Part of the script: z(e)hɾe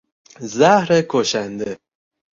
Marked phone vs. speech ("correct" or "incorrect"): incorrect